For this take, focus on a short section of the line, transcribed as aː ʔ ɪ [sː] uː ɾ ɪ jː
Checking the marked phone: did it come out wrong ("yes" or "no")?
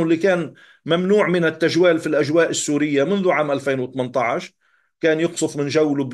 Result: no